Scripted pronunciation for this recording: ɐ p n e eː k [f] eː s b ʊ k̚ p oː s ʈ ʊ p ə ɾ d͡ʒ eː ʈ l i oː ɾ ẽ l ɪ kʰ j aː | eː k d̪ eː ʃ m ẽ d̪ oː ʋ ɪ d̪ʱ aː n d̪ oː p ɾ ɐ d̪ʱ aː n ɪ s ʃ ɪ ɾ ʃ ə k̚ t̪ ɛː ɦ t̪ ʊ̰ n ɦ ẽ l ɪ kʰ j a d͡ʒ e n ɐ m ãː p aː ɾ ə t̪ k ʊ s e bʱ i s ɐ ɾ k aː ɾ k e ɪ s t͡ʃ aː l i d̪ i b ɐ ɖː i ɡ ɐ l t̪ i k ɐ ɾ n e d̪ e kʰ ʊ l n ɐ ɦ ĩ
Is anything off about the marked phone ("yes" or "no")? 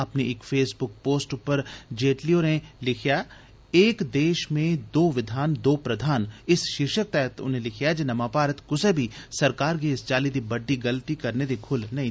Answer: no